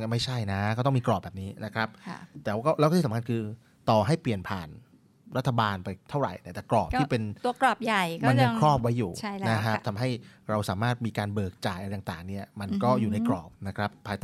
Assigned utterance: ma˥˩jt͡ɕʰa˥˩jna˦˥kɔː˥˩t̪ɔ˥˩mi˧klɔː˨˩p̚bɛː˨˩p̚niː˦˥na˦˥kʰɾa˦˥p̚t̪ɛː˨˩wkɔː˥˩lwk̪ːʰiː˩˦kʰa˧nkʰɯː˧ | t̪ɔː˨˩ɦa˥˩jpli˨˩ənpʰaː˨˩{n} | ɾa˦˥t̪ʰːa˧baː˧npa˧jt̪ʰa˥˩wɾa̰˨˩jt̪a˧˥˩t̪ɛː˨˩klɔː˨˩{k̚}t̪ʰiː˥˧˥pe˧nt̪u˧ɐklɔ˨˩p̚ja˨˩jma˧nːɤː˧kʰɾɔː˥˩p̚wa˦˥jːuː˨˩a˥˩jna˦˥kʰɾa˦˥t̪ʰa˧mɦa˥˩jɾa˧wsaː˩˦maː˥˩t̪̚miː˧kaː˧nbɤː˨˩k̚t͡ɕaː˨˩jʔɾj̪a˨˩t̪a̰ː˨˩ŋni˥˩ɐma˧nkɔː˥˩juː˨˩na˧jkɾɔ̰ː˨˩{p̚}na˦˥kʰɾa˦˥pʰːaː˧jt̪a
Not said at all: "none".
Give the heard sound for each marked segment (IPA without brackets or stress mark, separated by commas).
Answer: n, p̚, p̚